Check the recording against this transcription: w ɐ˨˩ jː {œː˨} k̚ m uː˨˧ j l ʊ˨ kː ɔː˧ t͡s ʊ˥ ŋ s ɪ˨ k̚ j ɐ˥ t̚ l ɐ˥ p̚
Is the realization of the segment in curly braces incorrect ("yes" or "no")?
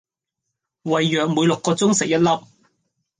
no